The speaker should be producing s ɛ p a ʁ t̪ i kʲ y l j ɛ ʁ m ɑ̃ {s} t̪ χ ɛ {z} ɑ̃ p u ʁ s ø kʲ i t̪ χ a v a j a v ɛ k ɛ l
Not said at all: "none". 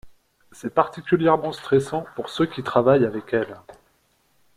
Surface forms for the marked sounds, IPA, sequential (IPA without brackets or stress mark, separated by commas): s, s